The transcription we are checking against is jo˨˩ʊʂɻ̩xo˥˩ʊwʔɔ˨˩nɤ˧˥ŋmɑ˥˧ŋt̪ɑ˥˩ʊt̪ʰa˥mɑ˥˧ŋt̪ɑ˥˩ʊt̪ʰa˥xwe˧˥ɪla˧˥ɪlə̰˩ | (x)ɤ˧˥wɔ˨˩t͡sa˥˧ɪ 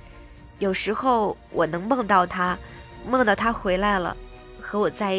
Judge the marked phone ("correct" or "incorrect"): correct